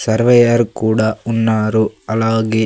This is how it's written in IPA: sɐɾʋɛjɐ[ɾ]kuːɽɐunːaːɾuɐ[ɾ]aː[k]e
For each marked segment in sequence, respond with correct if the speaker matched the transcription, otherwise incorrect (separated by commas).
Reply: correct, incorrect, incorrect